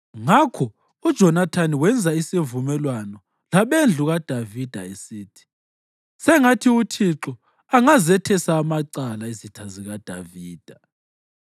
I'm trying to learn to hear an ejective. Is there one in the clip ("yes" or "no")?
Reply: no